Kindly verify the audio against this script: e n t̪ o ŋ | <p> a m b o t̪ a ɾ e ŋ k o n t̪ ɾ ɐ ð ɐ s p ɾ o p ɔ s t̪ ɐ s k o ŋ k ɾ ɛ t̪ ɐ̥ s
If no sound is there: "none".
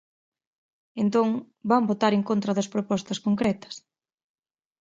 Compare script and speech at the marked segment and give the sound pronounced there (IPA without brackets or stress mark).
b